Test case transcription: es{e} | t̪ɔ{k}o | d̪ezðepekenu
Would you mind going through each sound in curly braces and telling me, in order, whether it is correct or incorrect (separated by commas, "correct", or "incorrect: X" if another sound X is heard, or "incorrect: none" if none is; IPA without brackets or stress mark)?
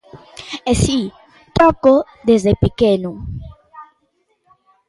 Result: incorrect: i, correct